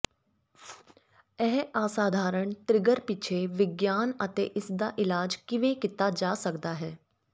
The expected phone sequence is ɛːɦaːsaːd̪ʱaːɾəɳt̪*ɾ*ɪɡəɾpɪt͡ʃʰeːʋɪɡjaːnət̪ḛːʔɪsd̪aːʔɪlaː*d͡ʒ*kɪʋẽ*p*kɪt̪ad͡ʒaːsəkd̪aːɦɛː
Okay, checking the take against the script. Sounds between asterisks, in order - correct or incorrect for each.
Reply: correct, correct, incorrect: none

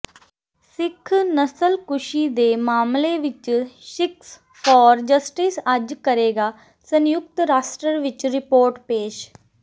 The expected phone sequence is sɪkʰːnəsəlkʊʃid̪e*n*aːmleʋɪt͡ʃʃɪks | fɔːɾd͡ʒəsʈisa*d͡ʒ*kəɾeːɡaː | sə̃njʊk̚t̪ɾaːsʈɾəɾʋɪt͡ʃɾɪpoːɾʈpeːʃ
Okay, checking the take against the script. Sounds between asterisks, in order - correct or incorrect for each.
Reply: incorrect: m, correct

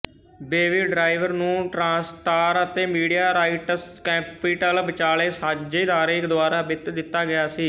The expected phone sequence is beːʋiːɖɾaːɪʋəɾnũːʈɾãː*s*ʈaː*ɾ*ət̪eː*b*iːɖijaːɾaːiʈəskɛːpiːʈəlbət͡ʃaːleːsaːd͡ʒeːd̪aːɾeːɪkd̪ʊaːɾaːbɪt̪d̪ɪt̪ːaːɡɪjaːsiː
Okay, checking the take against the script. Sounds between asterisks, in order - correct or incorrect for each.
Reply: correct, correct, incorrect: m

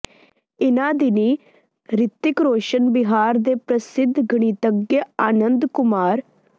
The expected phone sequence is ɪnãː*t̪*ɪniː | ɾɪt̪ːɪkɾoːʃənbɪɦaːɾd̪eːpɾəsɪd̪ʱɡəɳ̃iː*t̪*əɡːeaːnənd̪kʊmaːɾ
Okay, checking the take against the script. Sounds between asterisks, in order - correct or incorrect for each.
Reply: incorrect: d̪, correct

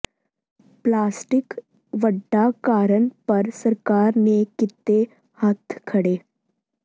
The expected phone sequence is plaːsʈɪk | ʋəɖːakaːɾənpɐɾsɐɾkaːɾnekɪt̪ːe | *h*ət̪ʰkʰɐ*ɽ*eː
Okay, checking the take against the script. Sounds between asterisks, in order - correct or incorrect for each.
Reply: correct, correct

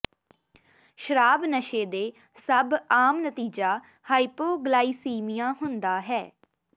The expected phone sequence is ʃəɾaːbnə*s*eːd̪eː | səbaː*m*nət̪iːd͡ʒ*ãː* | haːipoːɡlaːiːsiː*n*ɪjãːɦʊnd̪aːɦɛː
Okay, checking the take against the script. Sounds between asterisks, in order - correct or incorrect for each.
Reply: incorrect: ʃ, correct, incorrect: aː, incorrect: m

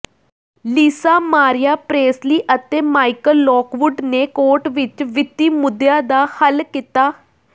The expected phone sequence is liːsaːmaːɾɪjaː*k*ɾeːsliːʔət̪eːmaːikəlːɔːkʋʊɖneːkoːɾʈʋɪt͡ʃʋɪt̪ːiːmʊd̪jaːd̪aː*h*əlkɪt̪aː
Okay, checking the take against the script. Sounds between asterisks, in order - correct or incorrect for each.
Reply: incorrect: p, correct

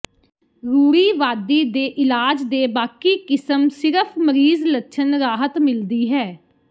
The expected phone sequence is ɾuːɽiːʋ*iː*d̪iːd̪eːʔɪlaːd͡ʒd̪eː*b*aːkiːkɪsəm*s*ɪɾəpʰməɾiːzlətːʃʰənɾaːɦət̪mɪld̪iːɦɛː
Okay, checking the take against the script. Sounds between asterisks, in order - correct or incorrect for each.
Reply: incorrect: aː, correct, correct

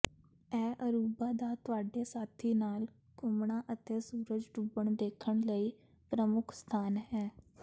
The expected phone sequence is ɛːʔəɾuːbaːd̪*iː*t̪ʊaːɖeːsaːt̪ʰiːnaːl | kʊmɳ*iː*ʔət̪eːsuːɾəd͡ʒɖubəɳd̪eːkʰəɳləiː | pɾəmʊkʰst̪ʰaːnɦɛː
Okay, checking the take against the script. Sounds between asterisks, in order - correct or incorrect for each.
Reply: incorrect: aː, incorrect: aː

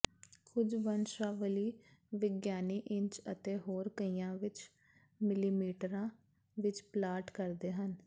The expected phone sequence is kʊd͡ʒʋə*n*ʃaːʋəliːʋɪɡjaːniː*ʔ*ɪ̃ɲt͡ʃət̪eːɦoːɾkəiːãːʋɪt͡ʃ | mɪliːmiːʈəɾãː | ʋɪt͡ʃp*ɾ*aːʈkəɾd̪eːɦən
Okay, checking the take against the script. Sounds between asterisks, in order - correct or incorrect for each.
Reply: correct, correct, incorrect: l

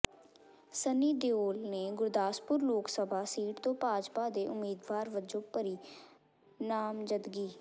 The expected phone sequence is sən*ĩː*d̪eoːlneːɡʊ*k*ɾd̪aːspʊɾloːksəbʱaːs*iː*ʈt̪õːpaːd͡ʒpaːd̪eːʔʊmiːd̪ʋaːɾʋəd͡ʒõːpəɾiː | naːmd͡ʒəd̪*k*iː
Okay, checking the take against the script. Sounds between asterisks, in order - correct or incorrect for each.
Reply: incorrect: iː, incorrect: none, correct, incorrect: ɡ

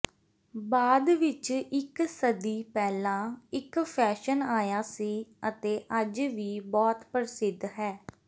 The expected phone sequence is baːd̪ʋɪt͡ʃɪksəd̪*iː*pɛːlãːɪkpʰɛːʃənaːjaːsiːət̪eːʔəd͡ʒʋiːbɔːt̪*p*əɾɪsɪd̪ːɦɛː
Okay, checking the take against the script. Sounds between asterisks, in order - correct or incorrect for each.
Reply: correct, correct

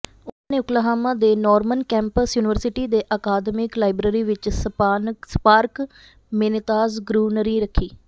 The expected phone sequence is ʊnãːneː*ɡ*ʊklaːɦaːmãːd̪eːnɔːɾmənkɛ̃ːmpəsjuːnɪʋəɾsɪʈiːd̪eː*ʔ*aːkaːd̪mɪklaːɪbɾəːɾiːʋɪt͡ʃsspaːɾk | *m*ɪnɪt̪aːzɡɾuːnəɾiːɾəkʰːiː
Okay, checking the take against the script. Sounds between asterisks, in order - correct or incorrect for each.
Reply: incorrect: none, correct, correct

